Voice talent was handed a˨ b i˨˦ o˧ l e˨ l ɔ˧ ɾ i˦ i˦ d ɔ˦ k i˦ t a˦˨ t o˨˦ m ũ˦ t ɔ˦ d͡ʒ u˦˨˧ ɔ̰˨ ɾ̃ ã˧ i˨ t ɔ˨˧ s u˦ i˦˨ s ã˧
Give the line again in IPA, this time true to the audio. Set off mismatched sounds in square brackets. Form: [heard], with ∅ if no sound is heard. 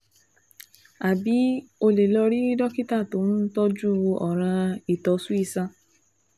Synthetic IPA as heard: a˨ b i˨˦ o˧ l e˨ l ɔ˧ ɾ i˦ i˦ d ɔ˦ k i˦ t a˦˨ t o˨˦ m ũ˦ t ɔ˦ d͡ʒ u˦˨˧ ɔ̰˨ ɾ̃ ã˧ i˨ t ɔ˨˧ s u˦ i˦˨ s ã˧